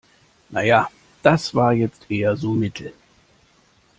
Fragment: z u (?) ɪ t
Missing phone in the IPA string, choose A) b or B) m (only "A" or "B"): B